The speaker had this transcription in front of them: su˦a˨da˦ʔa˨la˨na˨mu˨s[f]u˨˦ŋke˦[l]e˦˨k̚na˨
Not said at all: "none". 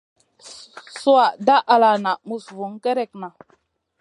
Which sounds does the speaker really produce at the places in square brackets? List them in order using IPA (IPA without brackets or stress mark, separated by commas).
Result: v, ɾ